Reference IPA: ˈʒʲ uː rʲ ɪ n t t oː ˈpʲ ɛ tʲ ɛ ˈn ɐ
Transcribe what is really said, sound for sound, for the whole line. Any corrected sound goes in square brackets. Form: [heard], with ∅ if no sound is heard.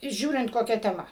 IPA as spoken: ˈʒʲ uː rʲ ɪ n t [k] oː [ˈkʲ] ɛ tʲ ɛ [ˈm] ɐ

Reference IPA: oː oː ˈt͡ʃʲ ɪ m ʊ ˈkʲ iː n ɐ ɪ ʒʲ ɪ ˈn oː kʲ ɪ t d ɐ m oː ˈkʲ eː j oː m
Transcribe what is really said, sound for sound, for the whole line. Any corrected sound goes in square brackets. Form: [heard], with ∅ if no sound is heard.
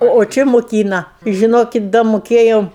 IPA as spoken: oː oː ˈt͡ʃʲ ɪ m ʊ ˈkʲ iː n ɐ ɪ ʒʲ ɪ ˈn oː kʲ ɪ t d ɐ m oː ˈkʲ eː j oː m

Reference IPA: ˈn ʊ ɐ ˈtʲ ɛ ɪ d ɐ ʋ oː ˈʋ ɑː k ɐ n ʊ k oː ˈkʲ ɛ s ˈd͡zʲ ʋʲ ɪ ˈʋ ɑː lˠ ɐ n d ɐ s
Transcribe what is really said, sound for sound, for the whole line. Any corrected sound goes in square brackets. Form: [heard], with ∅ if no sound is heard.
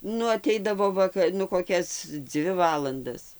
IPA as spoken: ˈn ʊ ɐ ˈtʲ ɛ ɪ d ɐ ʋ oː ˈʋ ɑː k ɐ n ʊ k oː ˈkʲ ɛ s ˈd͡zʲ ʋʲ ɪ ˈʋ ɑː lˠ ɐ n d ɐ s

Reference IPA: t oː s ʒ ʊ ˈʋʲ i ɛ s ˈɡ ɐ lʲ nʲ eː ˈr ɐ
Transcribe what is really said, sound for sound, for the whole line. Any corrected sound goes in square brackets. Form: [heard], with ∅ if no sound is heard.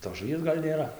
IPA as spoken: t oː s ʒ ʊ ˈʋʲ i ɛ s ˈɡ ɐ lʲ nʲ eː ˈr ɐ

